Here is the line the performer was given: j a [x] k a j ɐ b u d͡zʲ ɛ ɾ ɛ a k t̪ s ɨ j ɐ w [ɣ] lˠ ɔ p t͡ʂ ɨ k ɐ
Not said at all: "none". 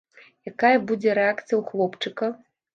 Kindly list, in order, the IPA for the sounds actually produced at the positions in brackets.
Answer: none, x

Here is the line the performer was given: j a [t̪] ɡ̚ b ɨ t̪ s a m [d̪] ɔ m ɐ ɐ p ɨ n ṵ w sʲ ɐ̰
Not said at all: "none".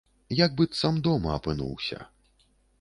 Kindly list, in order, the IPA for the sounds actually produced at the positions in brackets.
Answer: none, d̪

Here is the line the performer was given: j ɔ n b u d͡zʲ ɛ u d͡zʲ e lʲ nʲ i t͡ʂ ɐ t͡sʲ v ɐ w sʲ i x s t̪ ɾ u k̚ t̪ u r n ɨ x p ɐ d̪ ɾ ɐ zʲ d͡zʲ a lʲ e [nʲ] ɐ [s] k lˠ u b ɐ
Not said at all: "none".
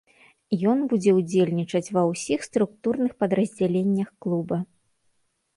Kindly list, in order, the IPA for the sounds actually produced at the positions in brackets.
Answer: nʲː, x

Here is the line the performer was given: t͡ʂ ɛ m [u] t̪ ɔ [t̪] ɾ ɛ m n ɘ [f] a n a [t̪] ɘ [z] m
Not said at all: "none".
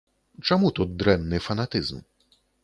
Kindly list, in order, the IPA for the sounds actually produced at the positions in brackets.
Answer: u, d̪, f, t̪, z

